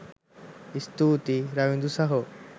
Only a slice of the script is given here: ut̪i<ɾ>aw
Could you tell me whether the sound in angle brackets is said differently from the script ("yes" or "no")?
no